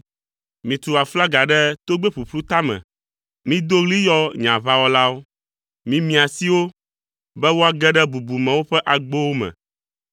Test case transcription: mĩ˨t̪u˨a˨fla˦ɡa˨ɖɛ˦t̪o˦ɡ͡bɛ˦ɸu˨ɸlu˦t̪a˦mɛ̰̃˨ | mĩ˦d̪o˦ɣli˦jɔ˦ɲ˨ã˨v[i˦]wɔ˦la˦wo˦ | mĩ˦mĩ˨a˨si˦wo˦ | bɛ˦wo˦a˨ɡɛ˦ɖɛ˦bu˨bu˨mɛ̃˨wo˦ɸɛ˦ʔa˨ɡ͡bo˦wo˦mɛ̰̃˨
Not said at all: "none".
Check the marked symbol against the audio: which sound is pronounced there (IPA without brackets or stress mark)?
a˦